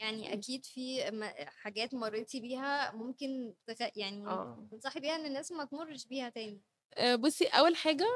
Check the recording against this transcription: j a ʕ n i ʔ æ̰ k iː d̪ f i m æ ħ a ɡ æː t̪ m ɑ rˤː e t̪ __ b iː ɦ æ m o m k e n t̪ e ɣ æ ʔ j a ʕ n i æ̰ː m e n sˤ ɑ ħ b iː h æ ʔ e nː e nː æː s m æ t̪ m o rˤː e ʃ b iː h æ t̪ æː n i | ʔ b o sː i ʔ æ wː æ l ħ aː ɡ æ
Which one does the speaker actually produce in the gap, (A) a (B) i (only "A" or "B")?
B